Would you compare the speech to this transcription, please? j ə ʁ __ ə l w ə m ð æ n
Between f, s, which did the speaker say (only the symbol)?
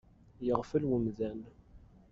f